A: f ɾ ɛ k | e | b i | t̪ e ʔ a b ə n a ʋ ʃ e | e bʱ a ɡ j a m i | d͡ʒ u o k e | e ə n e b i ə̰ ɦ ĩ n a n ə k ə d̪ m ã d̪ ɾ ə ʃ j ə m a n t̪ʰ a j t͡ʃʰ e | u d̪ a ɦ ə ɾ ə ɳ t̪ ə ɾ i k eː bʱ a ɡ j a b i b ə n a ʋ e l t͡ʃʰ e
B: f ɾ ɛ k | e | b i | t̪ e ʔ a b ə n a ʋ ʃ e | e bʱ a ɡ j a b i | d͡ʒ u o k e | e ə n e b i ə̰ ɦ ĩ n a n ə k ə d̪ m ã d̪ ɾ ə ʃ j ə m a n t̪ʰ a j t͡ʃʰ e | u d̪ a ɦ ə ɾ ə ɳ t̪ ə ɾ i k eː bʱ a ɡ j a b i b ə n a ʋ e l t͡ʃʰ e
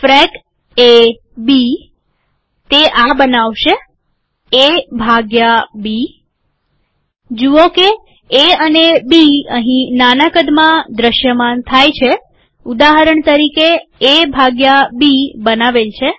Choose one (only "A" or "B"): B